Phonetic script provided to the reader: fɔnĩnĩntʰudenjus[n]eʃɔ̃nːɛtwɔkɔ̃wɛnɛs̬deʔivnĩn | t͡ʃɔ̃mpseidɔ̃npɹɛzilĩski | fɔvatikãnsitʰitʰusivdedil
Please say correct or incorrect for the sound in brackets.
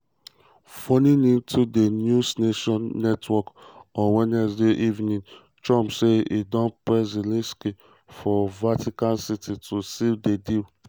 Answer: correct